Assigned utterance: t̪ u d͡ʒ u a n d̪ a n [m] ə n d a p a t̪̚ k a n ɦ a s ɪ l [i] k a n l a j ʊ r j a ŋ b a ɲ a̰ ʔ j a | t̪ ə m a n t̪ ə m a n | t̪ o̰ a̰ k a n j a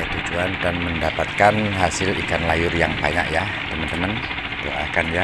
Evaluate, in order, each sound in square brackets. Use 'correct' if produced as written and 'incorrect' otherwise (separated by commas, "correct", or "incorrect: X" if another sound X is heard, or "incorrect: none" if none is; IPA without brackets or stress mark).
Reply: correct, correct